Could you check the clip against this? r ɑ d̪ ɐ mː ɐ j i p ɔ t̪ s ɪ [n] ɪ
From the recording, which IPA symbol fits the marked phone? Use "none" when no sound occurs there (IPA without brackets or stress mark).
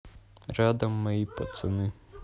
n